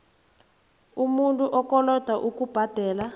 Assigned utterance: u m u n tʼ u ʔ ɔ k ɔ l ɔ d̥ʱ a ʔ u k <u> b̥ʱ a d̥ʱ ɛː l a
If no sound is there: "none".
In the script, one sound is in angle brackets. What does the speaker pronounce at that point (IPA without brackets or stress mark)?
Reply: u